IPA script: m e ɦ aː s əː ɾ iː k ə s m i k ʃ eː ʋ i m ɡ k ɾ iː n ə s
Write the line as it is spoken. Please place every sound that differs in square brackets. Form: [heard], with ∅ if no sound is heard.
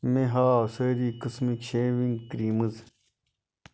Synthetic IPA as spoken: m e ɦ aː s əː ɾ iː k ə s m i k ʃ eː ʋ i [ŋ] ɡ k ɾ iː [m] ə [z]